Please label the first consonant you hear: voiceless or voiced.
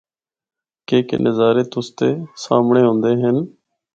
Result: voiceless